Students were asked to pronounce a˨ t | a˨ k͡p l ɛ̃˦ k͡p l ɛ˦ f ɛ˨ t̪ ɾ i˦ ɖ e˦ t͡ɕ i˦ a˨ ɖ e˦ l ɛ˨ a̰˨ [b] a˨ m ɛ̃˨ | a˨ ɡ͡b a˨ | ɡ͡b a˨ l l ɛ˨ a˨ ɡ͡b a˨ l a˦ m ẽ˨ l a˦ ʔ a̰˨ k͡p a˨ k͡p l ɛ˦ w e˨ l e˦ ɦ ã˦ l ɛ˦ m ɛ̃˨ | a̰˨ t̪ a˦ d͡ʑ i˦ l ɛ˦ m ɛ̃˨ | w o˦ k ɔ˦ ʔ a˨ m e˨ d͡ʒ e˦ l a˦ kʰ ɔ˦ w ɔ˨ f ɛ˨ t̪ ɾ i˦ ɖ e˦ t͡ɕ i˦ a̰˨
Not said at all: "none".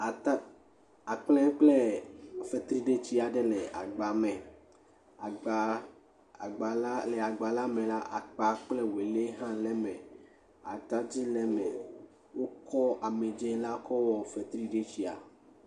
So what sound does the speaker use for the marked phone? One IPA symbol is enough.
ɡ͡b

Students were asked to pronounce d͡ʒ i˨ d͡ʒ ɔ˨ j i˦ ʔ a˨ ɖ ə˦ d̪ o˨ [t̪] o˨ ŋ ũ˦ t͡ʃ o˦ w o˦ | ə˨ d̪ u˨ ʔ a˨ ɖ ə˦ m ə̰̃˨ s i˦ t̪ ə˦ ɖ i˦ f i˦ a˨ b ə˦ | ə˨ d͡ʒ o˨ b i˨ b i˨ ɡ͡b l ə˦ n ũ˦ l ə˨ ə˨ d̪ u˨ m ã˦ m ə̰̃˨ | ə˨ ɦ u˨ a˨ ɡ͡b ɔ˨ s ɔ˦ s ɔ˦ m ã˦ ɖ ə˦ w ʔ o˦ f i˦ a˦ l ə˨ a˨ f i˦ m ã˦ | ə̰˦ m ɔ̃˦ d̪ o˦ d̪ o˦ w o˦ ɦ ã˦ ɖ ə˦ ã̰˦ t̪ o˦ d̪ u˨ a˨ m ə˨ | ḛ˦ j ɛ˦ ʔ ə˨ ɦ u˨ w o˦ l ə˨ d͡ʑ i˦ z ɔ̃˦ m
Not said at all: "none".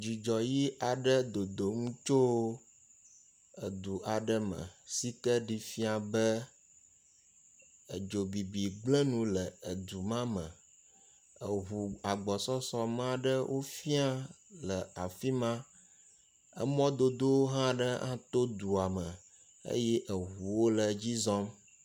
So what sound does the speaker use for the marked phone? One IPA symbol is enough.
d̪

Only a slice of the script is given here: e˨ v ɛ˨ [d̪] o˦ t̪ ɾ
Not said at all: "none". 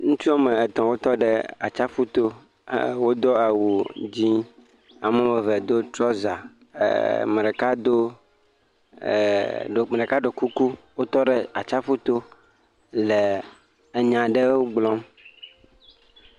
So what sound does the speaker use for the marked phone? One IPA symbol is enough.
d̪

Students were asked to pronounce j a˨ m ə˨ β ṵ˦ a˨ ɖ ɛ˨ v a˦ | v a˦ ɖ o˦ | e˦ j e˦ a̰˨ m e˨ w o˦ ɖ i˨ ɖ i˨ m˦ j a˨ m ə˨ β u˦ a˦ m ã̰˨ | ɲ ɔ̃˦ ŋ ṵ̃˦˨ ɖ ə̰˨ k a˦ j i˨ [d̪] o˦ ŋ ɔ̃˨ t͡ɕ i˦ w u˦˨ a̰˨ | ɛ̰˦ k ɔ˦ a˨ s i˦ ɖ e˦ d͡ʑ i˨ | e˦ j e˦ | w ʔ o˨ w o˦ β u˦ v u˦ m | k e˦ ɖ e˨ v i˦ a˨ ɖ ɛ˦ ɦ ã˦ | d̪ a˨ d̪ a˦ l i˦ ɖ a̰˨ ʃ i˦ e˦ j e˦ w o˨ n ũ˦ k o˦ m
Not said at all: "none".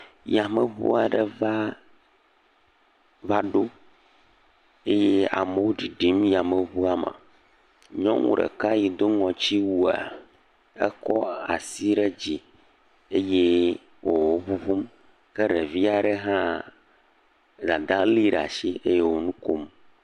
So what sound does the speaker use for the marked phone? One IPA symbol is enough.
d̪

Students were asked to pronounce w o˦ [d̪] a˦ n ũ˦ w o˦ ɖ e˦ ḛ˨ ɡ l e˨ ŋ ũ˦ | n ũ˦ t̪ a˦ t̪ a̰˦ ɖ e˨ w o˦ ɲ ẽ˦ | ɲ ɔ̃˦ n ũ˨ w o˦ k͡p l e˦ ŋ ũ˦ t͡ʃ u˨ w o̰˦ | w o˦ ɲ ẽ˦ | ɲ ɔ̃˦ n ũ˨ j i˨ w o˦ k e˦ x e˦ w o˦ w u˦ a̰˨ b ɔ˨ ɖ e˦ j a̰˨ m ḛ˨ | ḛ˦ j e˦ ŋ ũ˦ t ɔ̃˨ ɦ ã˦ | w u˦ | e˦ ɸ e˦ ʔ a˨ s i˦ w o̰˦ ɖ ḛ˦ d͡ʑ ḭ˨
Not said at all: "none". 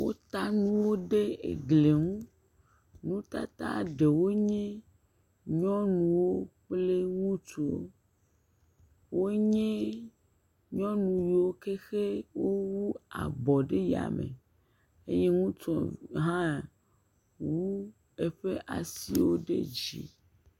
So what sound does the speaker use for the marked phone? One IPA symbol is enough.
t̪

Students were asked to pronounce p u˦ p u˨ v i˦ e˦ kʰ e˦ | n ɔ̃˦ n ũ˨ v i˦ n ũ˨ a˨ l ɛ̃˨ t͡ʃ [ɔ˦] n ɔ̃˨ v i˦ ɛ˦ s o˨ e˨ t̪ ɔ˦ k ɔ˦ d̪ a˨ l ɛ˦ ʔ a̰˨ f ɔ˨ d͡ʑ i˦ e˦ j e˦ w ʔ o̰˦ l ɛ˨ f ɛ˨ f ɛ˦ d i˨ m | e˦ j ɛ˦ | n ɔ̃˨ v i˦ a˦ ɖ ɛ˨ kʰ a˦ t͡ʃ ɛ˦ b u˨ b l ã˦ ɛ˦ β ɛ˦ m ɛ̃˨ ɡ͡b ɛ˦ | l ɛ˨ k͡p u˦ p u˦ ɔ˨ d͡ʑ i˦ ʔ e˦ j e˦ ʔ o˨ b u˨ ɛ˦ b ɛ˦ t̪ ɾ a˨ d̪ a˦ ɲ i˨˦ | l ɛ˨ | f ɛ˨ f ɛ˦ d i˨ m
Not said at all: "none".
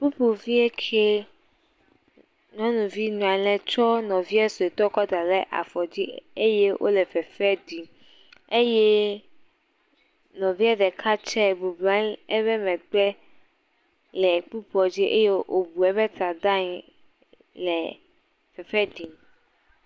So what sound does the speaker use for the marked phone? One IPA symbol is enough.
ɔ˦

